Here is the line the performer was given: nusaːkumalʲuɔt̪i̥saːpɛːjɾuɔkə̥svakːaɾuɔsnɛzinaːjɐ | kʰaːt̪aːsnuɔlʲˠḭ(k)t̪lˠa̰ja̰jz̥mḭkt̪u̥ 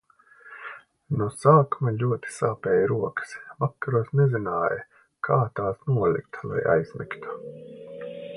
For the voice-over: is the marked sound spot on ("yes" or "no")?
yes